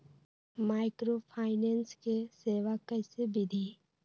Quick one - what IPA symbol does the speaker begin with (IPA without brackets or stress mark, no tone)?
m